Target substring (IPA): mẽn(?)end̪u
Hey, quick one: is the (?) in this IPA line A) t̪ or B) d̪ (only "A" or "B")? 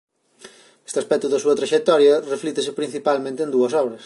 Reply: A